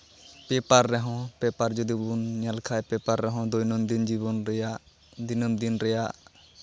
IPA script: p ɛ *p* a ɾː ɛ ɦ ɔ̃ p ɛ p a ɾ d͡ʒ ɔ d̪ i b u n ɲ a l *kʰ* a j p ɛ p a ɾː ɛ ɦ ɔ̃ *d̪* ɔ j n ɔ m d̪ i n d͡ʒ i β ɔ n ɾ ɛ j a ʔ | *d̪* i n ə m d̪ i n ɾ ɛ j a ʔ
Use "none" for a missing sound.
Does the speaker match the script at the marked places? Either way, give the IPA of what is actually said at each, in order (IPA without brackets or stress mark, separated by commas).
p, kʰ, d̪, d̪